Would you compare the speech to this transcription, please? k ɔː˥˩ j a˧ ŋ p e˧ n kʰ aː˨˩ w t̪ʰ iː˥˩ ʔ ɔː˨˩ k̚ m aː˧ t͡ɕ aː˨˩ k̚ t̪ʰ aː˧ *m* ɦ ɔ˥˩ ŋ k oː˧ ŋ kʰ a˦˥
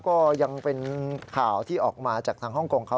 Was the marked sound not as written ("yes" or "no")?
yes